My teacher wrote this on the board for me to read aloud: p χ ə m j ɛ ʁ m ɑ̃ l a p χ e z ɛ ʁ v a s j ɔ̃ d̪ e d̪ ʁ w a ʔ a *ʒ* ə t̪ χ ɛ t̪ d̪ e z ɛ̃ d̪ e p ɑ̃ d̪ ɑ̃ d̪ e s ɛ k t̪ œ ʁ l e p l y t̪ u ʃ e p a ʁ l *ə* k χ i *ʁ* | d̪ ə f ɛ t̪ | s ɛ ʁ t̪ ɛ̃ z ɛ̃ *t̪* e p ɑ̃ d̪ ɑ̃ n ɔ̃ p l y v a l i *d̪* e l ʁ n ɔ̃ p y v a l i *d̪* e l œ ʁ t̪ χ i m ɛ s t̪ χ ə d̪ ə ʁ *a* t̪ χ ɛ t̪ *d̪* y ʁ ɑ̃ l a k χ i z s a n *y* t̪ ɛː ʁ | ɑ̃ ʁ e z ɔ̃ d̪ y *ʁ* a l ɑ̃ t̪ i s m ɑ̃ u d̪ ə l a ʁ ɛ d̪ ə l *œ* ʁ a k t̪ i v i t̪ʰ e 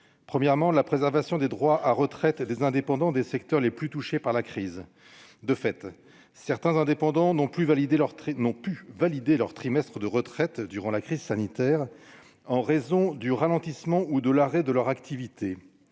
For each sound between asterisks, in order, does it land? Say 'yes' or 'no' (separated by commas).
no, no, no, no, yes, yes, no, yes, no, yes, yes